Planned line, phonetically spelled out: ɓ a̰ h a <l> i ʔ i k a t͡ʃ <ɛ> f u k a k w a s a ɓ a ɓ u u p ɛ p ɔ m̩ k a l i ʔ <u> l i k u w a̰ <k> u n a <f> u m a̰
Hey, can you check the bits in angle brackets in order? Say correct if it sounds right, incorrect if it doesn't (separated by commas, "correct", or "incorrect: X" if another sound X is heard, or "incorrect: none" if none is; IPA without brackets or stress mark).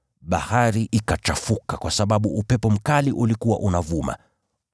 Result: incorrect: ɾ, incorrect: a, correct, incorrect: ʔ, incorrect: v